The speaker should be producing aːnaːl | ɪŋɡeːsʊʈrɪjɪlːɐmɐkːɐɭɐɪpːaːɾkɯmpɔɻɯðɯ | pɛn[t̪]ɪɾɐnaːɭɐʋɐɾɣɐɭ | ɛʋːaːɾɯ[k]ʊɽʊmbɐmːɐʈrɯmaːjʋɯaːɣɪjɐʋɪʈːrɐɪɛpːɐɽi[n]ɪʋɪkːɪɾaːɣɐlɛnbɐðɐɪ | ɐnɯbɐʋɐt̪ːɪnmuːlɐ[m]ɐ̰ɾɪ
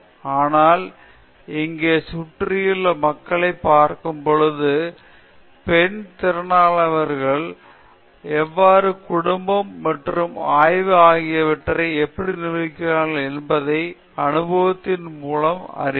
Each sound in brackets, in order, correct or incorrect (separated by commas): correct, correct, correct, correct